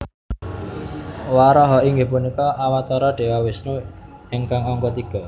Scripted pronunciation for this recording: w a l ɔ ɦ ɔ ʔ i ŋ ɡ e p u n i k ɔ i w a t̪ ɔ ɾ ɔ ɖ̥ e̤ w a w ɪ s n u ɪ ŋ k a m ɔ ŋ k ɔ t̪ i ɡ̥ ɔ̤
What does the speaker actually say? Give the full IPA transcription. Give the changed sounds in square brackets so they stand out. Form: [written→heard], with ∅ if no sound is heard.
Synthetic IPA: w a [l→ɾ] ɔ ɦ ɔ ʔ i ŋ ɡ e p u n i k ɔ [i→a] w a t̪ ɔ ɾ ɔ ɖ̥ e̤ w a w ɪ s n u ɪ ŋ k a [m→ŋ] ɔ ŋ k ɔ t̪ i ɡ̥ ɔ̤